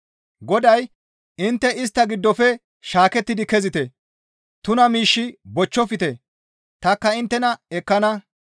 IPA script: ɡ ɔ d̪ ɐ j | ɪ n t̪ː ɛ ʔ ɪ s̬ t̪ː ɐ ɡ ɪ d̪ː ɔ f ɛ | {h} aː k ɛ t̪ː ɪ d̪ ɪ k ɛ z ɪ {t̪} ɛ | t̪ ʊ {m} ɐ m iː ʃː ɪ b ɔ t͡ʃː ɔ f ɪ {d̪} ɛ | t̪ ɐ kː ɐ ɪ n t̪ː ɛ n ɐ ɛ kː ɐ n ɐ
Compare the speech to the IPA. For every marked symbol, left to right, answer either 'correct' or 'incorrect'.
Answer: incorrect, correct, incorrect, incorrect

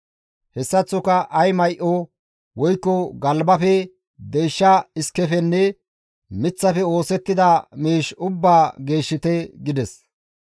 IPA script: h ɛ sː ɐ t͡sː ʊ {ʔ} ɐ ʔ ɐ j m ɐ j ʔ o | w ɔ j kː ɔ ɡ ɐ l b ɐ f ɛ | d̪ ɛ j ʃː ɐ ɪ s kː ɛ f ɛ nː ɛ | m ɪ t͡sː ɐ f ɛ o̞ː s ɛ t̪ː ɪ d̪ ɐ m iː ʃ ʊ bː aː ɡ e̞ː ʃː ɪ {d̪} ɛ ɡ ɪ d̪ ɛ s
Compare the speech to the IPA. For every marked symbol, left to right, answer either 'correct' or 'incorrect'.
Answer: incorrect, incorrect

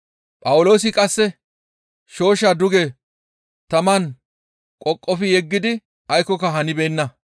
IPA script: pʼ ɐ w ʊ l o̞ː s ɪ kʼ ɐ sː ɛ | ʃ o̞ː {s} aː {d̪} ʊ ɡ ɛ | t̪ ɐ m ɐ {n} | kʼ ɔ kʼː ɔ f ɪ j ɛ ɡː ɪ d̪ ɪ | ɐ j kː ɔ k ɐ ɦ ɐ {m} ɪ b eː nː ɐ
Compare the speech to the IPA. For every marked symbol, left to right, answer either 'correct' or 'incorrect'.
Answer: incorrect, correct, correct, incorrect

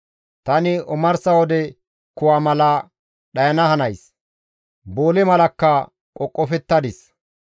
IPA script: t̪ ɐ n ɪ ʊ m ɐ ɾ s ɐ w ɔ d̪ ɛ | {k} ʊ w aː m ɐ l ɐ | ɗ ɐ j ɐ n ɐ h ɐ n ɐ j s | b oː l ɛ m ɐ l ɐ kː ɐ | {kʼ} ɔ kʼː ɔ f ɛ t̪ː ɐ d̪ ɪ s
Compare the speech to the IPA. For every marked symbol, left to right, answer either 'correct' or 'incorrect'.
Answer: correct, correct

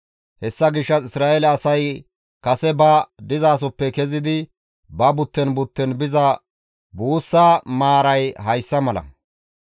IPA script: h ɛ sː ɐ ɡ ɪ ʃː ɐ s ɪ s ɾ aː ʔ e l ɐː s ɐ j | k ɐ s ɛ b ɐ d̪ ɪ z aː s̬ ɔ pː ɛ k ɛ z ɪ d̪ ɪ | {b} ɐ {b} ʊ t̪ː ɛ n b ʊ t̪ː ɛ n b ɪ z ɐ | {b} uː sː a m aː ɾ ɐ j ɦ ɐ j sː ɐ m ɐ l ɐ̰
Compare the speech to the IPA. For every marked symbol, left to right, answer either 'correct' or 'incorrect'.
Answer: correct, correct, correct

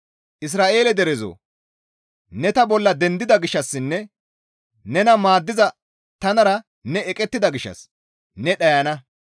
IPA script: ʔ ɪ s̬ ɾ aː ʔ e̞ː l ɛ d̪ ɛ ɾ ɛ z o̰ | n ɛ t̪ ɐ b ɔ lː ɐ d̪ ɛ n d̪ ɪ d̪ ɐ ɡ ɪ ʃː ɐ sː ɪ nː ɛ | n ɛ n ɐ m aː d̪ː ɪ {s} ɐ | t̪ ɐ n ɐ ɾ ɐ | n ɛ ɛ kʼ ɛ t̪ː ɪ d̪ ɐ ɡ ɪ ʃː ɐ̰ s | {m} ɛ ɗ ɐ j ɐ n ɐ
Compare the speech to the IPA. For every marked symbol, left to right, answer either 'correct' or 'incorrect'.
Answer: incorrect, incorrect

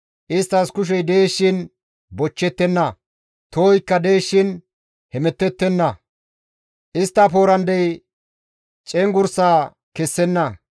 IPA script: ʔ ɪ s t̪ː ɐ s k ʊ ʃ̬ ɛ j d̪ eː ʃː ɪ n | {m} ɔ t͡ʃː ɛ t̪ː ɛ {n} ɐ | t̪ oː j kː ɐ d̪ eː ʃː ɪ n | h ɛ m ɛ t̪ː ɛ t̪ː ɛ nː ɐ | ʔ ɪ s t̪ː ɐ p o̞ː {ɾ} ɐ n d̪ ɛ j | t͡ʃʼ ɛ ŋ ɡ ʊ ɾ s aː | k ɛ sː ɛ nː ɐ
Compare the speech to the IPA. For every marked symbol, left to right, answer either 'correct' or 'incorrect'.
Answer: incorrect, incorrect, correct

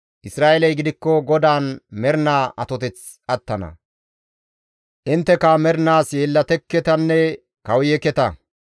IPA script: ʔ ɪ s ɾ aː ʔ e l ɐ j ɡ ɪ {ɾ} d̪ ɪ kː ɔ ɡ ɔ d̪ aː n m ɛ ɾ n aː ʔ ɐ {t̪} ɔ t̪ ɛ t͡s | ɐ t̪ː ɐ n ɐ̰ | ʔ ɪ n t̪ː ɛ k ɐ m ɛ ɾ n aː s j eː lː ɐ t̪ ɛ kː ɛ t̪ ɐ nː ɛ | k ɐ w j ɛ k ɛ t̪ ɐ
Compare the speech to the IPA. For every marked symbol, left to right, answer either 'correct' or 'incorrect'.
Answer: incorrect, correct

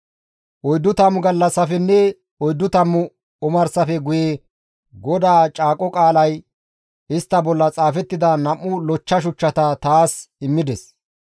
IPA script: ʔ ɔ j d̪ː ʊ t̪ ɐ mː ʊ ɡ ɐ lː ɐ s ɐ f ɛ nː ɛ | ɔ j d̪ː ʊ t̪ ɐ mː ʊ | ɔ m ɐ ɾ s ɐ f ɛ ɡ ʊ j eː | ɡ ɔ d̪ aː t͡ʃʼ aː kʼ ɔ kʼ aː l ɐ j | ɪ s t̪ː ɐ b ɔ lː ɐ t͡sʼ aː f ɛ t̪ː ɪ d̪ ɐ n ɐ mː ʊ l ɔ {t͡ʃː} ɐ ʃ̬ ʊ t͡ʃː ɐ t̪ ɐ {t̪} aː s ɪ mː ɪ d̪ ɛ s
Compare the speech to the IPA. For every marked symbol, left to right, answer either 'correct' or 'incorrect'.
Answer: correct, correct

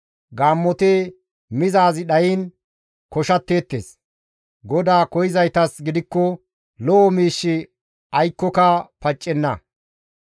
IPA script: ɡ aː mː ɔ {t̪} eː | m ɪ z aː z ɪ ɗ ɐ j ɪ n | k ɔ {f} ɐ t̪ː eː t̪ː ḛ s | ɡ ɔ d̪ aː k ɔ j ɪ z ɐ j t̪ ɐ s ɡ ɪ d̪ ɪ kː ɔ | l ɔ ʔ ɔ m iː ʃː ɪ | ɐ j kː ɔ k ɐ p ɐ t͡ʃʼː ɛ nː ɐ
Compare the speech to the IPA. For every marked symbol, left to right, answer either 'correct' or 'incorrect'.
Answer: correct, incorrect

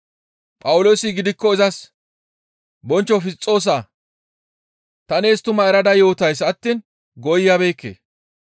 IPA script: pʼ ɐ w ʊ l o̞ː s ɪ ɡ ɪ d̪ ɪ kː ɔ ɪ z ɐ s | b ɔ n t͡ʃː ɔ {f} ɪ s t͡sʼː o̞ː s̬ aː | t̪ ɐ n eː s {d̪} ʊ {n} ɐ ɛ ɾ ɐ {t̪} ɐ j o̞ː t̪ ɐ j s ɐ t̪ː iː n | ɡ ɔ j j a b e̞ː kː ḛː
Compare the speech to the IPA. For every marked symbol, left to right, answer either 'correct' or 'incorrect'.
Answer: correct, incorrect, incorrect, incorrect

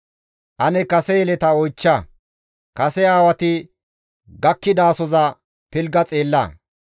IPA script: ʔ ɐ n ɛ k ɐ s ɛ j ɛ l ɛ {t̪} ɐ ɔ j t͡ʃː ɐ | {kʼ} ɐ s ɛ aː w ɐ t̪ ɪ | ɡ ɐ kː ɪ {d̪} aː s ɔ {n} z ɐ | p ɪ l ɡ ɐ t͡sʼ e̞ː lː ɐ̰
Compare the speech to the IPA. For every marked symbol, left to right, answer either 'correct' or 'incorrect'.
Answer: correct, incorrect, correct, incorrect

